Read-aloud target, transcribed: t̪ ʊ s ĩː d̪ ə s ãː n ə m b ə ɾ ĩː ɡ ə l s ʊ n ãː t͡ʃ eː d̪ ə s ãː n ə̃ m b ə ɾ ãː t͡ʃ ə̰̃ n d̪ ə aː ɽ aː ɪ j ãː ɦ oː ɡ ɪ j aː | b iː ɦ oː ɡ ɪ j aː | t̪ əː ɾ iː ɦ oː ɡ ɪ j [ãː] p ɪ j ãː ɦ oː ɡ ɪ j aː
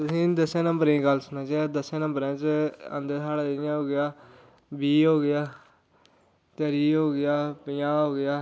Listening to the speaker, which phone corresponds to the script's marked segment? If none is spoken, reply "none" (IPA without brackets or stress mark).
aː